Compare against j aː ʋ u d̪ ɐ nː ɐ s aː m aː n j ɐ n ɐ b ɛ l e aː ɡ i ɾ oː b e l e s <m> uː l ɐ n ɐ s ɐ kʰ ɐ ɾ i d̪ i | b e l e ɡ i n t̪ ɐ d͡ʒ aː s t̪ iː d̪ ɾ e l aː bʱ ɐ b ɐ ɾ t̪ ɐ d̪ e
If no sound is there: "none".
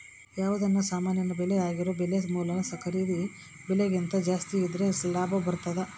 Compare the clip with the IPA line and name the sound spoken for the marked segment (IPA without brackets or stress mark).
m